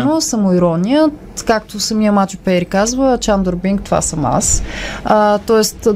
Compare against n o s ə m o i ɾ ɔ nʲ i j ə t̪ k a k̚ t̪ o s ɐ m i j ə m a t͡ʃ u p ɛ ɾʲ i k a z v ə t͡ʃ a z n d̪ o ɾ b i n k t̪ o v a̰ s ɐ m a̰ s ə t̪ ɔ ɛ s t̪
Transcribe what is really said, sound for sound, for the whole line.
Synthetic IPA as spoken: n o s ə m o i ɾ ɔ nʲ i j ə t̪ k a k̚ t̪ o s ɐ m i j ə m a t͡ʃ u p ɛ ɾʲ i k a z v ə t͡ʃ a n d̪ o ɾ b i ŋ k t̪ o v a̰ s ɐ m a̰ s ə t̪ ɔ ɛ s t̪